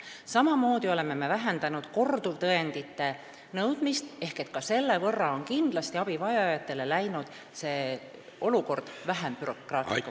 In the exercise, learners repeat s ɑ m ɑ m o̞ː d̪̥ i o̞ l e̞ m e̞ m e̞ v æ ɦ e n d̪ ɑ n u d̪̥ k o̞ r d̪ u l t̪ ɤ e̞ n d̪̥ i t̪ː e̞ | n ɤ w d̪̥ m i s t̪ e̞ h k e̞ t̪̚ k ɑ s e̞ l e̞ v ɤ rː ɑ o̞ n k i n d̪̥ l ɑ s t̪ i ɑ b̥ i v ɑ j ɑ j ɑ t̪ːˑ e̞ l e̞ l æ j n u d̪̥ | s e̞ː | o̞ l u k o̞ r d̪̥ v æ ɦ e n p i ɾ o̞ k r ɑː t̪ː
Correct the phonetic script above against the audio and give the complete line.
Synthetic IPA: s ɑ m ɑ m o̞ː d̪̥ i o̞ l e̞ m e̞ m e̞ v æ ɦ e n d̪ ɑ n u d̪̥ k o̞ r d̪ u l t̪ ɤ e̞ n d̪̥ i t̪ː e̞ | n ɤ w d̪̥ m i s t̪ e̞ h k e̞ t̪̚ k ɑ s e̞ lː e̞ v ɤ rː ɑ o̞ n k i n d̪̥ l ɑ s t̪ i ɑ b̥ i v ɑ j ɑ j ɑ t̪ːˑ e̞ l e̞ l æ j n u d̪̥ | s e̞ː | o̞ l u k o̞ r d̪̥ v æ ɦ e m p y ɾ o̞ k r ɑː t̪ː